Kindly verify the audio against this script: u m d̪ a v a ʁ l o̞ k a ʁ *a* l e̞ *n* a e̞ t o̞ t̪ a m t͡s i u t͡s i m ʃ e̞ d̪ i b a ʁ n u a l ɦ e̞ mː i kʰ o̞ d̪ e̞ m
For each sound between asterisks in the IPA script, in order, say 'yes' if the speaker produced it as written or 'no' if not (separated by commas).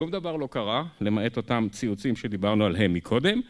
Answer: yes, no